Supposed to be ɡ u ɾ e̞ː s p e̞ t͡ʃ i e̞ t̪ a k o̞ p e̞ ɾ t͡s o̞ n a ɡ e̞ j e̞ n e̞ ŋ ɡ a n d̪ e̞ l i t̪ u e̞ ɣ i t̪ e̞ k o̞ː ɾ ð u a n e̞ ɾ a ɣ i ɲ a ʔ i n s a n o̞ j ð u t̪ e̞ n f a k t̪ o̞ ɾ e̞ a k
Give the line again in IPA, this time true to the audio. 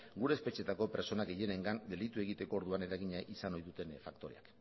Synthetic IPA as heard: ɡ u ɾ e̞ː s p e̞ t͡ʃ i e̞ t̪ a k o̞ p e̞ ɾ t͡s o̞ n a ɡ e̞ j e̞ n e̞ ŋ ɡ a n d̪ e̞ l i t̪ u e̞ ɣ i t̪ e̞ k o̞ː ɾ ð u a n e̞ ɾ a ɣ i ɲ a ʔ i s a n o̞ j ð u t̪ e̞ n f a k t̪ o̞ ɾ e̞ a k